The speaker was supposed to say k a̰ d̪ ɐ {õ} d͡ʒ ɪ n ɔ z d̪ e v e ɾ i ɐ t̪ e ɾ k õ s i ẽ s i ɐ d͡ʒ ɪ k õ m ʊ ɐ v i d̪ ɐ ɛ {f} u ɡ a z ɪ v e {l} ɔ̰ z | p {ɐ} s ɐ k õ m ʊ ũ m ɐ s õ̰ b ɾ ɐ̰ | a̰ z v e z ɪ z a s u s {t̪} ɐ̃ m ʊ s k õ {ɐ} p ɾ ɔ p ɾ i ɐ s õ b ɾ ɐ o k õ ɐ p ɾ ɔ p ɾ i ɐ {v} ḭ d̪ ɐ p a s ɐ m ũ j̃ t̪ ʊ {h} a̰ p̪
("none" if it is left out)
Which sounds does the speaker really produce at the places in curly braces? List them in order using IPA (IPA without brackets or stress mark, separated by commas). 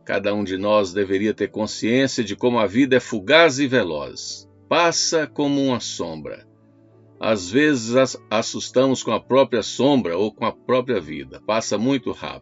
ũ, f, l, a, t̪, ɐ, v, h